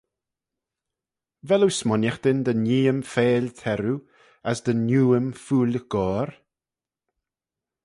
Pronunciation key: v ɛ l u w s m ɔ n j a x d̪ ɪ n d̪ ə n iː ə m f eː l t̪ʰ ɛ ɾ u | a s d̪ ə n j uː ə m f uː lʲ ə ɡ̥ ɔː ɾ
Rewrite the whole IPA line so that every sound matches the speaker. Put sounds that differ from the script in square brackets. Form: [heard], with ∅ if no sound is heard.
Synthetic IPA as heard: v ɛ l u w s m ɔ n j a x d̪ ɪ n d̪ ə n iː ə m f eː l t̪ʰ ɛ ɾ u | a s d̪ ə n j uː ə m f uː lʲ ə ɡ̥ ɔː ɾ